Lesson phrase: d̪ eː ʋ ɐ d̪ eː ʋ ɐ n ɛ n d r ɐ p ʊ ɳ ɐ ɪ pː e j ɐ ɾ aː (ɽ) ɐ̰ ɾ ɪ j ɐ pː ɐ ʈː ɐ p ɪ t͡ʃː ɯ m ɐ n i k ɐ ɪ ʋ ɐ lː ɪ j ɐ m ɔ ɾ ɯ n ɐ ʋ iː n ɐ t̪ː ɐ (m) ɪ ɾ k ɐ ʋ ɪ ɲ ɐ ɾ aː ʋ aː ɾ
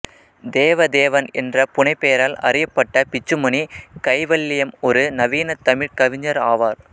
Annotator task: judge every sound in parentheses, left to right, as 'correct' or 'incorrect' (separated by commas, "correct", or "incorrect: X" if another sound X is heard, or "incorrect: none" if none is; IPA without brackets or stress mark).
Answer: incorrect: l, correct